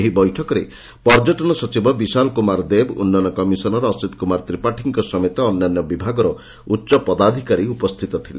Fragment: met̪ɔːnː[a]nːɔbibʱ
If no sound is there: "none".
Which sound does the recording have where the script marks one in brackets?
a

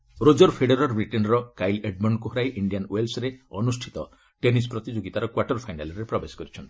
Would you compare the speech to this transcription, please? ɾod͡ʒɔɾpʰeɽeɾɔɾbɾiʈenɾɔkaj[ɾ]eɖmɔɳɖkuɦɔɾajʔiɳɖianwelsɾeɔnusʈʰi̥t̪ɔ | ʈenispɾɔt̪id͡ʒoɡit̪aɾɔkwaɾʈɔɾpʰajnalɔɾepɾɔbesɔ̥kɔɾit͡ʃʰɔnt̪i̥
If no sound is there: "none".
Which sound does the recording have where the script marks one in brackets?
l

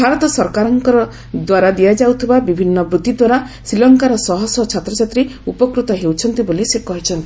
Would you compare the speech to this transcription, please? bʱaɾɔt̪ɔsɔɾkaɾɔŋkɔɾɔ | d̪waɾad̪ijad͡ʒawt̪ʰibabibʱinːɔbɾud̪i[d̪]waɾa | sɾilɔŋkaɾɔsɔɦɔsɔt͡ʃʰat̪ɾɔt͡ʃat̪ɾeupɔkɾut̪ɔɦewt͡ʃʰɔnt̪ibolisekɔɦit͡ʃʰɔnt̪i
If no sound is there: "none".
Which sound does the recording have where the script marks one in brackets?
d̪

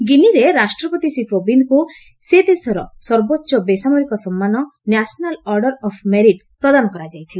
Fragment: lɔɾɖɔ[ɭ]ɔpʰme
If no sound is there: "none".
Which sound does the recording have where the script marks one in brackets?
ɾ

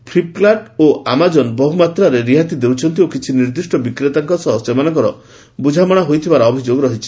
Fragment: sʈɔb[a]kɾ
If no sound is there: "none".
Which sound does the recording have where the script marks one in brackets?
i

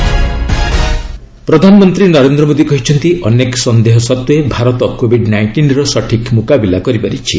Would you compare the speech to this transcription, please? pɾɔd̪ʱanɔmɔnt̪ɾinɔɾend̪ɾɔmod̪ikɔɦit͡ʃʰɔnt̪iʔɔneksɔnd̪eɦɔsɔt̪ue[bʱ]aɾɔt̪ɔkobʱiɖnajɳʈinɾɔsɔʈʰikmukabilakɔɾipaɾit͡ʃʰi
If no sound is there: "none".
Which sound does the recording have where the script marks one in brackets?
bʱ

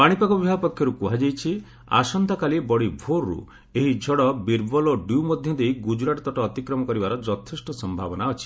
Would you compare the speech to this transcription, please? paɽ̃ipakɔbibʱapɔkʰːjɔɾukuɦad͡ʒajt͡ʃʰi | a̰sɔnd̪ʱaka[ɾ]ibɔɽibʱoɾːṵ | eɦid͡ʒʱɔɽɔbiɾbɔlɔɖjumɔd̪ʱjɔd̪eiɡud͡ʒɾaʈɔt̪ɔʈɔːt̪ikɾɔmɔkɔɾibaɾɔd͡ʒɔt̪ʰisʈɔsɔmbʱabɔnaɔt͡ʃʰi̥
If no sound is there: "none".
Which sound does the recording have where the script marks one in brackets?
l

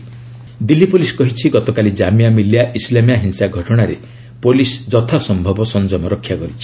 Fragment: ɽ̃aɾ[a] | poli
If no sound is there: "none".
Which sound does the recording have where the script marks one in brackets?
e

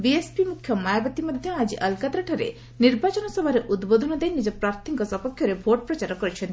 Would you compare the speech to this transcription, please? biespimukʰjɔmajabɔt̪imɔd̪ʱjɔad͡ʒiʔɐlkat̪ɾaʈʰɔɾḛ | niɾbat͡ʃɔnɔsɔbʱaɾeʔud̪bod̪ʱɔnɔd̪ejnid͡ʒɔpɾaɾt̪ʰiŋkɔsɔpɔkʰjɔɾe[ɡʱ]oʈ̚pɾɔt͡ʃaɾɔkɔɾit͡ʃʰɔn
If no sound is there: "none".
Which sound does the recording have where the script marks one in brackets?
bʱ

